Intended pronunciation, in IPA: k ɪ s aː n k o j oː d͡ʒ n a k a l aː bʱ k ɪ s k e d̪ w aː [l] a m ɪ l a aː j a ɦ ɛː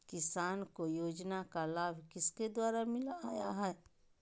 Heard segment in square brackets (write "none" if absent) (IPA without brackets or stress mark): ɾ